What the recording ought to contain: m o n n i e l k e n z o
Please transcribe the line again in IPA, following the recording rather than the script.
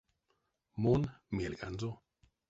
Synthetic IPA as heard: m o n m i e l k a n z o